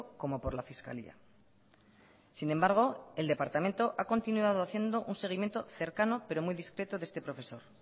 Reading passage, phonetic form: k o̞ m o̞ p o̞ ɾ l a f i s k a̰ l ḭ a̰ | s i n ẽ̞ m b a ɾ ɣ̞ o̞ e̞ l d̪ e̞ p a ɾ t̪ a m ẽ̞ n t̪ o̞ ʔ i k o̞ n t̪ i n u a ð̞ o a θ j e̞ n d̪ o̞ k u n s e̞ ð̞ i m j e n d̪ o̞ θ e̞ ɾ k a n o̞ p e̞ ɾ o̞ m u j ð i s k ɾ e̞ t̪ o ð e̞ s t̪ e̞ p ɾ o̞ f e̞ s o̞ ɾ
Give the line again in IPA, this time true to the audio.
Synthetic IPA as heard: k o̞ m o̞ p o̞ ɾ l a f i s k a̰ l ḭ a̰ | s i n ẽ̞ m b a ɾ ɣ̞ o̞ e̞ l d̪ e̞ p a ɾ t̪ a m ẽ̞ n t̪ o̞ ʔ a k o̞ n t̪ i n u a ð̞ o a θ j e̞ n d̪ o̞ ʔ u n s e̞ ɣ̞ i m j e n t̪ o̞ θ e̞ ɾ k a n o̞ p e̞ ɾ o̞ m u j ð i s k ɾ e̞ t̪ o ð e̞ s t̪ e̞ p ɾ o̞ f e̞ s o̞ ɾ